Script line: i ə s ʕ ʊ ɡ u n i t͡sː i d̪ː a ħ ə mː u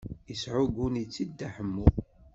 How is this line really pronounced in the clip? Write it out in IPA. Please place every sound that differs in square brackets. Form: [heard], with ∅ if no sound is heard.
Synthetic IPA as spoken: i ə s ʕ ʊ ɡ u n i t͡sː i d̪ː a ħ ə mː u

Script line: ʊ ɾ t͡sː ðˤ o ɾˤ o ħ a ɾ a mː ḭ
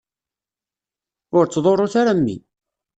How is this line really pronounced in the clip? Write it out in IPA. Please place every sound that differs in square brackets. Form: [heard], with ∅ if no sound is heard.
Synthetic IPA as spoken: ʊ ɾ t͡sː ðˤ o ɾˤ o [θ] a ɾ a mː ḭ

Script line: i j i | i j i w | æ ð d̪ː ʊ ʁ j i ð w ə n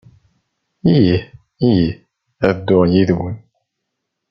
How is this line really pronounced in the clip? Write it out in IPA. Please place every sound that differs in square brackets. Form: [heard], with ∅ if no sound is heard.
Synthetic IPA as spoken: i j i | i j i [∅] | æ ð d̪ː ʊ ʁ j i ð w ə n

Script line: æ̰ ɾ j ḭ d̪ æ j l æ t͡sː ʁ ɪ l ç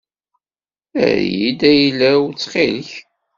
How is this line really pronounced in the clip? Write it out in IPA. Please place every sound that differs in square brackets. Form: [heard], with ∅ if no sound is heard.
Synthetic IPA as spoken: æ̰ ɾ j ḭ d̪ æ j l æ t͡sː [χ] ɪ l ç

